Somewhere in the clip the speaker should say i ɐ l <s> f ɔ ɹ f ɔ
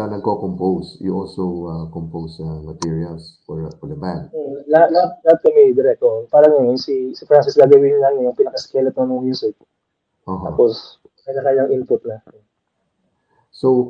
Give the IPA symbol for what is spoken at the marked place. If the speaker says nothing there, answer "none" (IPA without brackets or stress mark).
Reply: s